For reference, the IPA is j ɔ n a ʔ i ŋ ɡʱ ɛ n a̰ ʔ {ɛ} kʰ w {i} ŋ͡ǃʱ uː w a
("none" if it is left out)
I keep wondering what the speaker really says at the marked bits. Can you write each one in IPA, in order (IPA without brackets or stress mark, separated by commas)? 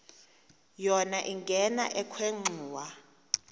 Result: ɛ, e